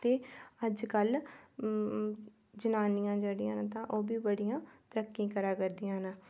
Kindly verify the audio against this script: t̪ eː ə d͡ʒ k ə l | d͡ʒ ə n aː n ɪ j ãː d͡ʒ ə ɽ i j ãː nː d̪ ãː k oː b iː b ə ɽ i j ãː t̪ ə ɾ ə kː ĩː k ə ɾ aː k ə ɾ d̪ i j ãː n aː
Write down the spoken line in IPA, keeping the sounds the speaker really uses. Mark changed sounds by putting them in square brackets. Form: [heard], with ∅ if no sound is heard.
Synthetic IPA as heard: t̪ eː ə d͡ʒ k ə l | d͡ʒ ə n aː n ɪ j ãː d͡ʒ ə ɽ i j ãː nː [t̪] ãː [ʔ] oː b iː b ə ɽ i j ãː t̪ ə ɾ ə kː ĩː k ə ɾ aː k ə ɾ d̪ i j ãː n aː